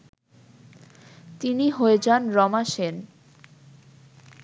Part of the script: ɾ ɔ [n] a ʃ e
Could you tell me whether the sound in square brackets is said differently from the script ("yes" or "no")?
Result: yes